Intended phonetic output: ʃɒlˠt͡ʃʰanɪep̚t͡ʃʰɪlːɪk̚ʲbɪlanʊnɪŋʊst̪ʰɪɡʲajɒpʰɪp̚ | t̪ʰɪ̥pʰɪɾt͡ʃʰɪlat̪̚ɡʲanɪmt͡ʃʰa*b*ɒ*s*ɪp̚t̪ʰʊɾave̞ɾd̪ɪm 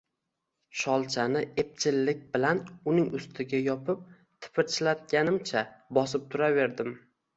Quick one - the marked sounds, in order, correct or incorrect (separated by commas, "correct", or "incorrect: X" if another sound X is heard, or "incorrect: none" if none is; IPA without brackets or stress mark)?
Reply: correct, correct